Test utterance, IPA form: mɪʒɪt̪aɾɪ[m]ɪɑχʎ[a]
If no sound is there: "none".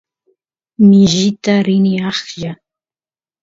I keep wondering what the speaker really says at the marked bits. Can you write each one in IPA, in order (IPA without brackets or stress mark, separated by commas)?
n, a